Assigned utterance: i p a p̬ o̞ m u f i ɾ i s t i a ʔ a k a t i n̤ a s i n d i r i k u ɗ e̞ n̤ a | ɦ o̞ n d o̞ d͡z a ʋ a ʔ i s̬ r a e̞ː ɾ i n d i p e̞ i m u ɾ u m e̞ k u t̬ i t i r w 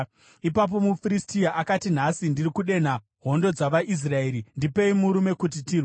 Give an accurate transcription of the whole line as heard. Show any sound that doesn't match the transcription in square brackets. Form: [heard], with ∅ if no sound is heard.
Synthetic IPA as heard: i p a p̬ o̞ m u f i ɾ i s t i a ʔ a k a t i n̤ a s i n d i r i k u ɗ e̞ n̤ a | ɦ o̞ n d o̞ d͡z a ʋ a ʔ i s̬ r a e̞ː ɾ i n d i p e̞ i m u ɾ u m e̞ k u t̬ i t i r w